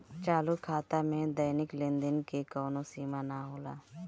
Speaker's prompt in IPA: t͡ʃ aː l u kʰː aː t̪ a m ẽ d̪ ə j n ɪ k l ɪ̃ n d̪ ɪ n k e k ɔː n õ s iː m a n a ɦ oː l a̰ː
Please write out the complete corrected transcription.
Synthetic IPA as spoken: t͡ʃ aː l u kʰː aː t̪ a m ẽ d̪ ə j n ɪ k l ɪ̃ n d̪ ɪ n k e k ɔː n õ s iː m a n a ɦ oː l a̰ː